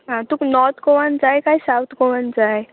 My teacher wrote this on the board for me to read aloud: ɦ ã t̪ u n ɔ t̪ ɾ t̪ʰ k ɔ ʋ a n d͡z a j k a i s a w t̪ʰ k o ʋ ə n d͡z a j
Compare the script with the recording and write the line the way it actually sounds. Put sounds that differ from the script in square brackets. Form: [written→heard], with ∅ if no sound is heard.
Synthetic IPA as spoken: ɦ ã t̪ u n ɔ [t̪→∅] ɾ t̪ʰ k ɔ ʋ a n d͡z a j k a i s a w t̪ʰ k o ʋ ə n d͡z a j